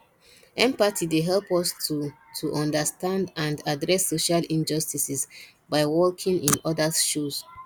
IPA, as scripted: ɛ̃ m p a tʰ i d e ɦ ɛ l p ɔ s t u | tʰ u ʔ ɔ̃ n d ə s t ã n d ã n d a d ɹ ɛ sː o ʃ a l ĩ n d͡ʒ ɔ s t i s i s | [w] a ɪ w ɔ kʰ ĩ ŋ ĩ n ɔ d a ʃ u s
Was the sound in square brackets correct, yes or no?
no